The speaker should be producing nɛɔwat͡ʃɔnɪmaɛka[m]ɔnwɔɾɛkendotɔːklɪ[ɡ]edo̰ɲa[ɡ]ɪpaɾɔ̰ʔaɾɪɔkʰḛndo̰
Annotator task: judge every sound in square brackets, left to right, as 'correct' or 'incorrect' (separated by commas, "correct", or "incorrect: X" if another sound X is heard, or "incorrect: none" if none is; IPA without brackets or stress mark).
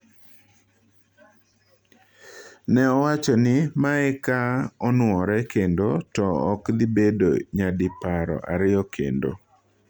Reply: incorrect: none, incorrect: b, incorrect: d